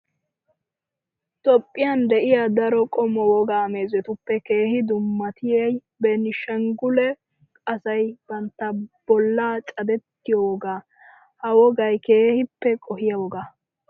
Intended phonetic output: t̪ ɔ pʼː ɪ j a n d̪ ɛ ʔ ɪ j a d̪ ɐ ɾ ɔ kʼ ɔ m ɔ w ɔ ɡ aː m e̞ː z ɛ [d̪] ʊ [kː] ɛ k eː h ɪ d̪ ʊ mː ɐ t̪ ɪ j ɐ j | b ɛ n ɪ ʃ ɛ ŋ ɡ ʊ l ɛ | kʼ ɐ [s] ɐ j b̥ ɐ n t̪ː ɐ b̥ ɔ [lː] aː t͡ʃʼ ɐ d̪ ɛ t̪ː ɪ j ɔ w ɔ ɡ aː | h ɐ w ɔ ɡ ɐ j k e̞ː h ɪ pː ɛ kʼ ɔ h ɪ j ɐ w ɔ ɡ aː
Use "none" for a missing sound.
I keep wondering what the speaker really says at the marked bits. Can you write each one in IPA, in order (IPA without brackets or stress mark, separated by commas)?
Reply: t̪, pː, s, lː